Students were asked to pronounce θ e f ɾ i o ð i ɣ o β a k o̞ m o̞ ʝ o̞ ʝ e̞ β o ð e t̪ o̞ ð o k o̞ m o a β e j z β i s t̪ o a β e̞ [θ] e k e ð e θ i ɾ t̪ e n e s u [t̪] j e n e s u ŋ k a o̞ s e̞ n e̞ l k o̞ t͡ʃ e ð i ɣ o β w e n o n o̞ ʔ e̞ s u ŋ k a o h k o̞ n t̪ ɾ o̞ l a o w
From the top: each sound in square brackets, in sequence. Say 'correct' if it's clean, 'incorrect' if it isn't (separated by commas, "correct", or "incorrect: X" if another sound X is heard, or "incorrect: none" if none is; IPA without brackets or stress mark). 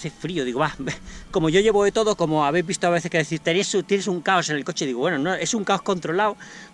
correct, correct